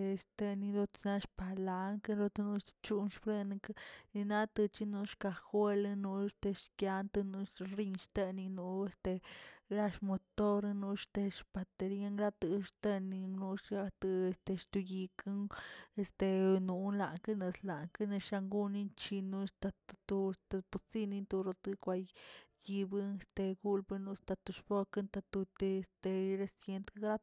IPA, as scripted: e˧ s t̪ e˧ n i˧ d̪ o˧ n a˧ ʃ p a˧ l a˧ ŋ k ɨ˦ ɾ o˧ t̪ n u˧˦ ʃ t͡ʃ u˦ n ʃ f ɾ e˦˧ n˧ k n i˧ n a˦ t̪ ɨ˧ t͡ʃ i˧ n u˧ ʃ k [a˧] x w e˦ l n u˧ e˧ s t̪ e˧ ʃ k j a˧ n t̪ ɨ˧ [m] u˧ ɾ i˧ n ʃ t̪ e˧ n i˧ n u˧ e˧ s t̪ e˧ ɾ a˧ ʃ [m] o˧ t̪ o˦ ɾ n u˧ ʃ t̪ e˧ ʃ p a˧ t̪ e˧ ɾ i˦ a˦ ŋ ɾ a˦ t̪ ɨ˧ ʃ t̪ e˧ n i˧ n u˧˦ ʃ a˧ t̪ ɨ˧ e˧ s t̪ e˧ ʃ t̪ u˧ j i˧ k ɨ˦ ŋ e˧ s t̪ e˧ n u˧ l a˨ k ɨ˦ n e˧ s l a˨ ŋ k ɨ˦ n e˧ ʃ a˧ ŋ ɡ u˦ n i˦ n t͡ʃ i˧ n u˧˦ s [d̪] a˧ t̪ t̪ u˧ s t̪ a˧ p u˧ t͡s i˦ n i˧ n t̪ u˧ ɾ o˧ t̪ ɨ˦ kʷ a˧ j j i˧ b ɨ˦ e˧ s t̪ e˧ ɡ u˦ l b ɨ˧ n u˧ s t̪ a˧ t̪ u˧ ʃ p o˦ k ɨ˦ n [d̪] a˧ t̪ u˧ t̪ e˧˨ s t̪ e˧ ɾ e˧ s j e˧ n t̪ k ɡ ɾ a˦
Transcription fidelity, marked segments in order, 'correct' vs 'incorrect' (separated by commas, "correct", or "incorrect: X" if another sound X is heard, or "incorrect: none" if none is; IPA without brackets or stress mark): correct, incorrect: n, correct, incorrect: t̪, incorrect: t̪